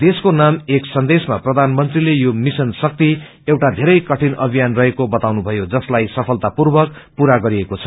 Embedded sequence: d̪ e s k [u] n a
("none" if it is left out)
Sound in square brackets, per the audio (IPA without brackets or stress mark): o